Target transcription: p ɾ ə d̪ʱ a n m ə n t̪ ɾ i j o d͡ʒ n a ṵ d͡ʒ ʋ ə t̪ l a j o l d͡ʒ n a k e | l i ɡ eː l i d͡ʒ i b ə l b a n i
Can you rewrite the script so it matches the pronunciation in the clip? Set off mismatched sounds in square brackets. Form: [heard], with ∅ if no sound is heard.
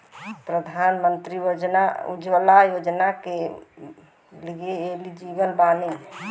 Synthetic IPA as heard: p ɾ ə d̪ʱ a n m ə n t̪ ɾ i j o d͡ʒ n a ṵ d͡ʒ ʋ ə [∅] l a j o [∅] d͡ʒ n a k e | l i ɡ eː l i d͡ʒ i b ə l b a n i